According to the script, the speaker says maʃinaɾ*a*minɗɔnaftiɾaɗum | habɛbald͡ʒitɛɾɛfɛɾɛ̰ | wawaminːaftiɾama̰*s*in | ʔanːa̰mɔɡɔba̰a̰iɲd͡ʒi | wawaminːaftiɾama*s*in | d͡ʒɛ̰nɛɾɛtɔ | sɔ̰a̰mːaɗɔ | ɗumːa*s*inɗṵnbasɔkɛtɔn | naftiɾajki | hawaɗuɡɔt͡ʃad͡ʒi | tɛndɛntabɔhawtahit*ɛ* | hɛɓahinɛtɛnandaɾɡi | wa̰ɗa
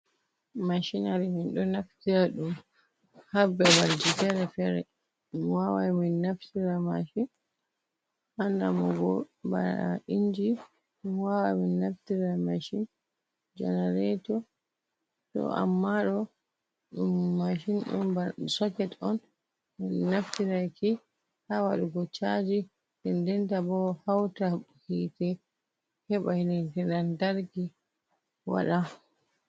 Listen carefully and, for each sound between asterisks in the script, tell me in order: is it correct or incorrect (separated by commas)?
incorrect, incorrect, incorrect, incorrect, correct